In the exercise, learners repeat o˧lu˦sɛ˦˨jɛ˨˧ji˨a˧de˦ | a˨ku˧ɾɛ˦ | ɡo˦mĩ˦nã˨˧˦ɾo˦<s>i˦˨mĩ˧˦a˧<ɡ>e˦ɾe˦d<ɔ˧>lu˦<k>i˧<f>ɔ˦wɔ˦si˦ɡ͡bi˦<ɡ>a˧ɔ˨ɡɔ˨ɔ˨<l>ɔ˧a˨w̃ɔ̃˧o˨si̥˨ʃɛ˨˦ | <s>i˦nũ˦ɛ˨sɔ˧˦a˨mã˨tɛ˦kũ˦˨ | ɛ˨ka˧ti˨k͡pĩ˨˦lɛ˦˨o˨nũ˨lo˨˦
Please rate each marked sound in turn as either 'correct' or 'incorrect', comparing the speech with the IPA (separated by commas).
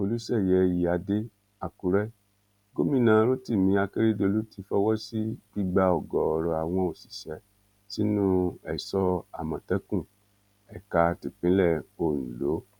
incorrect, incorrect, incorrect, incorrect, correct, incorrect, incorrect, correct